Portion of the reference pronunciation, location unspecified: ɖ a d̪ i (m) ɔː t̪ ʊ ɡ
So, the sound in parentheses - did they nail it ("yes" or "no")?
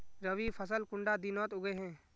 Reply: no